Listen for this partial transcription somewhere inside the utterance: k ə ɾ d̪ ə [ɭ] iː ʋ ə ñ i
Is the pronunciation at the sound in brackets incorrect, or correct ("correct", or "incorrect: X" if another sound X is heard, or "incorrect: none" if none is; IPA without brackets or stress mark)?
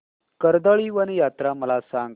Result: correct